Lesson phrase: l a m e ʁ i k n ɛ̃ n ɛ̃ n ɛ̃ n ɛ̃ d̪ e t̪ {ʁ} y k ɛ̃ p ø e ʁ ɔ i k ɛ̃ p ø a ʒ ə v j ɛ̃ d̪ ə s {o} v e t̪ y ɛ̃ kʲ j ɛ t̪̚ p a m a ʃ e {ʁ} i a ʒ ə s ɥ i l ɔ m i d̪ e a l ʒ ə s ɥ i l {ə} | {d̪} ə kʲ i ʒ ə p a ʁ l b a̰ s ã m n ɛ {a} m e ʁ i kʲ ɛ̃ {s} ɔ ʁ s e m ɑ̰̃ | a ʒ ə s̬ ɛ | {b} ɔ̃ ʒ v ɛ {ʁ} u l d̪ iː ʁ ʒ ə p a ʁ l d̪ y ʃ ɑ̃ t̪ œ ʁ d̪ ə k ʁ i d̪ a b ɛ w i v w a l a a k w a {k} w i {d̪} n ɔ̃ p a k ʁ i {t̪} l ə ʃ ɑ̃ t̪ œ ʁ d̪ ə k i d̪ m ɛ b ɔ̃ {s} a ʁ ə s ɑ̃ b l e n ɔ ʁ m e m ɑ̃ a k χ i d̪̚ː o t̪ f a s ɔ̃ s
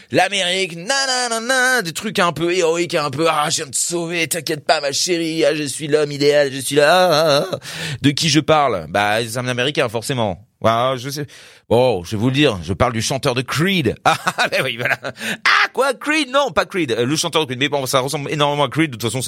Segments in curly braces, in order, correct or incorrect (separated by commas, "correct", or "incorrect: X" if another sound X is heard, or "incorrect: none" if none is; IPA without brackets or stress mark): incorrect: χ, correct, correct, incorrect: a, correct, correct, incorrect: f, correct, incorrect: v, correct, correct, incorrect: d̪, correct